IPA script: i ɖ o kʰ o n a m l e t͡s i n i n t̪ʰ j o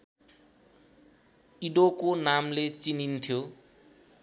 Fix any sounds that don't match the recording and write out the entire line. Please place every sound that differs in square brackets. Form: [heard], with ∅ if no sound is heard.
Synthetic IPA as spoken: i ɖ o [k] o n a m l e t͡s i n i n t̪ʰ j o